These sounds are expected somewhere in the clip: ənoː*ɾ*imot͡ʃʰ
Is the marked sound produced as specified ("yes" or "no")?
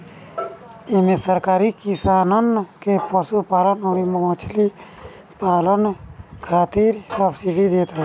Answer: yes